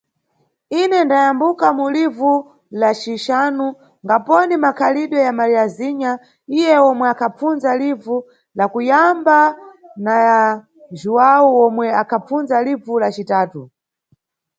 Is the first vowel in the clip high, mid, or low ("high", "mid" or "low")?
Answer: high